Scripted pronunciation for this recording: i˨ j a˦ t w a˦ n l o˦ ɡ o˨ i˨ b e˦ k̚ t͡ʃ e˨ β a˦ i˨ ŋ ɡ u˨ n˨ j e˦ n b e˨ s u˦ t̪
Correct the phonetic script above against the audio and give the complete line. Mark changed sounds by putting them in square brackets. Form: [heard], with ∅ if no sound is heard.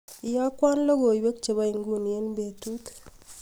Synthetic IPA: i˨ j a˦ [k] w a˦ n l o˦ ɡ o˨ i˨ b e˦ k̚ t͡ʃ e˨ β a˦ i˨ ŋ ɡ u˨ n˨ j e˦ n b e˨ [t] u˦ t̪